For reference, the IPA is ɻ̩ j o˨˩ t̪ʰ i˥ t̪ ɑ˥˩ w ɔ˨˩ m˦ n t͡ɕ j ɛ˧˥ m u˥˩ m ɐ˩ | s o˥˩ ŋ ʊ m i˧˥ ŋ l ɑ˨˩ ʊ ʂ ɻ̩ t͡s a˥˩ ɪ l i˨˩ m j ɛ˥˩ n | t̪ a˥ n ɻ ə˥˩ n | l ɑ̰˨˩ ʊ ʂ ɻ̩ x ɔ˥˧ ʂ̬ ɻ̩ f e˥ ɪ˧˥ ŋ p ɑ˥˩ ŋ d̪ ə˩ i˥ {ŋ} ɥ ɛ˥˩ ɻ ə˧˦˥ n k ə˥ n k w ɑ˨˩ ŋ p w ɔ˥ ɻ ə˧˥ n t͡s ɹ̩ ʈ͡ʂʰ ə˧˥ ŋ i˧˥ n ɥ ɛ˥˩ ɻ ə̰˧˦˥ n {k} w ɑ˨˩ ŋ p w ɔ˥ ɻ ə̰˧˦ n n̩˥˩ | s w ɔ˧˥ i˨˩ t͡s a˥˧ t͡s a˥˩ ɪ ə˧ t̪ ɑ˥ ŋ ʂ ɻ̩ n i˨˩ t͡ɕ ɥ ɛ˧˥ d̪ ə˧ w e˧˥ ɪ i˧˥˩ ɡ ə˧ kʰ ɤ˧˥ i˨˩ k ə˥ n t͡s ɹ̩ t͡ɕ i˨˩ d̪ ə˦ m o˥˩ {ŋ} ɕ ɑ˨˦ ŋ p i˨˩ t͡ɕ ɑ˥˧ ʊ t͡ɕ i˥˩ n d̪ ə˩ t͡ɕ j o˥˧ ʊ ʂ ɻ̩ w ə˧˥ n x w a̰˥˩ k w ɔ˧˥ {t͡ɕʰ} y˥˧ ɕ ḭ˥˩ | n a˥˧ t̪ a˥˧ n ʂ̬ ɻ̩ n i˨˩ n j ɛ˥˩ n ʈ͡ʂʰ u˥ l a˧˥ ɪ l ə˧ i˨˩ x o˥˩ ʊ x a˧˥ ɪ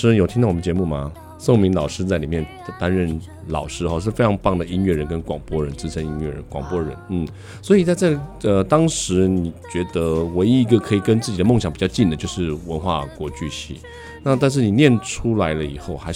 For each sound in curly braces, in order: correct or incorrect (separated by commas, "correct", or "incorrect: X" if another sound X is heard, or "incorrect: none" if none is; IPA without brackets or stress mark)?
incorrect: n, correct, correct, incorrect: t͡ɕ